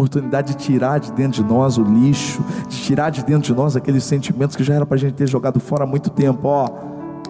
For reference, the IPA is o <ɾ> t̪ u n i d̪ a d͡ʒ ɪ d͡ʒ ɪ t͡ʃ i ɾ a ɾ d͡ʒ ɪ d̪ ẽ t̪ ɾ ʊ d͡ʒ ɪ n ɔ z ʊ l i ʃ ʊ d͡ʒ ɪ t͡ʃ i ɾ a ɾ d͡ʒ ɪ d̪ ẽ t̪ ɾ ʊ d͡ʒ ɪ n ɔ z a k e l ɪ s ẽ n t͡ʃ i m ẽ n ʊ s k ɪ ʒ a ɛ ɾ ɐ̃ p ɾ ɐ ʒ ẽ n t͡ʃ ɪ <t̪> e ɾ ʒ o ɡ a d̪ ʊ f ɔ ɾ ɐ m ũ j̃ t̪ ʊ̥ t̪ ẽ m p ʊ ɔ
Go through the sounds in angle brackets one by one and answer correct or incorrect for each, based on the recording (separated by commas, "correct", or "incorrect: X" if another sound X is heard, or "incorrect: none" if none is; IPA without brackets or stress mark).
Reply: correct, correct